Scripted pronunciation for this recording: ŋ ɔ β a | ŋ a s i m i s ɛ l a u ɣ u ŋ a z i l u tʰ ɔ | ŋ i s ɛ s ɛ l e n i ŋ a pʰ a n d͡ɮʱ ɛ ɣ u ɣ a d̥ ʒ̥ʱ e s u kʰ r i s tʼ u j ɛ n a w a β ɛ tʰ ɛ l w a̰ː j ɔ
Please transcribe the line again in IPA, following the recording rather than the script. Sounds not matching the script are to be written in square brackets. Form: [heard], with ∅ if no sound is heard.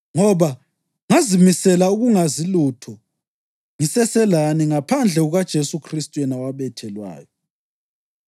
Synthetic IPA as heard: ŋ ɔ β a | ŋ a [z] i m i s ɛ l a u ɣ u ŋ a z i l u tʰ ɔ | ŋ i s ɛ s ɛ l [a] n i ŋ a pʰ a n d͡ɮʱ ɛ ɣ u ɣ a d̥ ʒ̥ʱ e s u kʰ r i s tʼ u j ɛ n a w a β ɛ tʰ ɛ l w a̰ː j ɔ